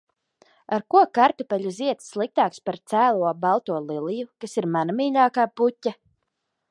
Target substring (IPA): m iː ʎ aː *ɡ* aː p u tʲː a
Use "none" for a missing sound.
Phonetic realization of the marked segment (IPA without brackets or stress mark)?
k